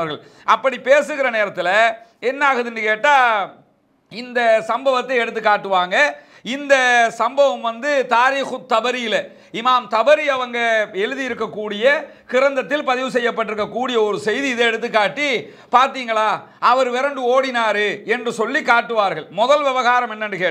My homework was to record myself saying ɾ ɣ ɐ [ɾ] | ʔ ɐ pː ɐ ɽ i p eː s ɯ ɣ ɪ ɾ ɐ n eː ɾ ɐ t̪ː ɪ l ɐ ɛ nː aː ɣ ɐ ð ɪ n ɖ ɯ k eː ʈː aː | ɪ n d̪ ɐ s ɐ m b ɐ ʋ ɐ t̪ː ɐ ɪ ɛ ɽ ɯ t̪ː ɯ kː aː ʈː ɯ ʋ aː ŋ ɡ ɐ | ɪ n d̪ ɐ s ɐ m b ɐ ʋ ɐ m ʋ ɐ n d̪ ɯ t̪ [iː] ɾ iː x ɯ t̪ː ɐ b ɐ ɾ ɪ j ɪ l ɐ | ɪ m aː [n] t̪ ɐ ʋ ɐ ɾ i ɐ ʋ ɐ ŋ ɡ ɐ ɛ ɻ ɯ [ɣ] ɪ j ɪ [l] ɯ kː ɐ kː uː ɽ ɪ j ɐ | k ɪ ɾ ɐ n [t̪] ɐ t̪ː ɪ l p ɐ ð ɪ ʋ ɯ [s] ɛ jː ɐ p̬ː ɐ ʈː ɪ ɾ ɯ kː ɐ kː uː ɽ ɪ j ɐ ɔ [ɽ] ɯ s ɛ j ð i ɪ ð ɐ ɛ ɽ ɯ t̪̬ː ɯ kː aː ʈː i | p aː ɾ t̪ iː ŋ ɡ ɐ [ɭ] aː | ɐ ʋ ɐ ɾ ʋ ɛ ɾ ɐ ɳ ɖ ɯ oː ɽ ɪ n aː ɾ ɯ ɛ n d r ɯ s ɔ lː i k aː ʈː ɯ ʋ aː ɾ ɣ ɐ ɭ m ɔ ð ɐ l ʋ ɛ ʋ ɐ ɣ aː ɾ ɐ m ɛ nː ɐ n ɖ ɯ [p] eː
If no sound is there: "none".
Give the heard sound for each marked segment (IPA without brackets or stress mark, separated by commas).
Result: ɭ, aː, m, ð, ɾ, d̪, s, ɾ, ɭ, k